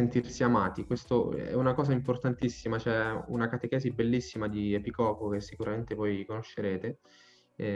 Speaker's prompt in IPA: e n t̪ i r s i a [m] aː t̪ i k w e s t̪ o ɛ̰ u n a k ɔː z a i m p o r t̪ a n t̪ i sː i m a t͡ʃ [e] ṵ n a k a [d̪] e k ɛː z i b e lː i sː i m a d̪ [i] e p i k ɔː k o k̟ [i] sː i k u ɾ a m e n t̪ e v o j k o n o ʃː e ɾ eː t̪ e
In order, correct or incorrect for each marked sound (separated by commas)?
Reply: correct, incorrect, incorrect, correct, incorrect